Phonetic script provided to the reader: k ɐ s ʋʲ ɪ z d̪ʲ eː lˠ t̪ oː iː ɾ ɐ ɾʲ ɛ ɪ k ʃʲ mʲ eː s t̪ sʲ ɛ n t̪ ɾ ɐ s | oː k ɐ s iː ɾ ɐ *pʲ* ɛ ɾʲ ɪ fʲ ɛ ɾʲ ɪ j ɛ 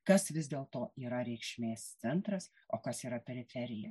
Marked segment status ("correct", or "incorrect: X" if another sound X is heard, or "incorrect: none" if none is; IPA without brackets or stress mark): correct